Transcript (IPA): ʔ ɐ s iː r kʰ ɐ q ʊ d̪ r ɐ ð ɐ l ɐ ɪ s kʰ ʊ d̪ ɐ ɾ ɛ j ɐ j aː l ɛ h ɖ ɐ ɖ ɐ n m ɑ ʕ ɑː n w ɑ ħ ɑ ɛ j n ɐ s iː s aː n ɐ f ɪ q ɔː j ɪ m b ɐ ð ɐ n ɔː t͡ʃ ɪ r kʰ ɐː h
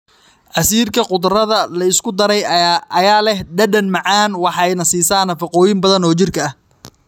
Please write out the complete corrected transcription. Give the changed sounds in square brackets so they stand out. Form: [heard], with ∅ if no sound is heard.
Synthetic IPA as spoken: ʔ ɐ s iː r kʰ ɐ q ʊ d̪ r ɐ ð ɐ l ɐ ɪ s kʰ ʊ d̪ ɐ ɾ ɛ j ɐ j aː l ɛ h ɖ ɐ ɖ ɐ n m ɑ ʕ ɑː n w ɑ ħ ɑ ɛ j n ɐ s iː s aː n ɐ f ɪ q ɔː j ɪ m b ɐ ð ɐ n ɔː t͡ʃ ɪ r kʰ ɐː h